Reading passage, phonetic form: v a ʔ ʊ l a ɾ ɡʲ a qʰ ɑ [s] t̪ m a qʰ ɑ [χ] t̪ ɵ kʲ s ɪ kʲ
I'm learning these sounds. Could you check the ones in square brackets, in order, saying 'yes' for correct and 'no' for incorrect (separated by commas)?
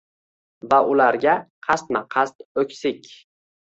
yes, no